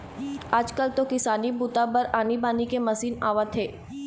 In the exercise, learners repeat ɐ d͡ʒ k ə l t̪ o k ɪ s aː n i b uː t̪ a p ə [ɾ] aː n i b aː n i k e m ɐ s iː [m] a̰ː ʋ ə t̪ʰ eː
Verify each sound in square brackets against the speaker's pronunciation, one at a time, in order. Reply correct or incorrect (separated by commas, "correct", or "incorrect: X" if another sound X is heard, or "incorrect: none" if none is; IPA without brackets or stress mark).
correct, incorrect: n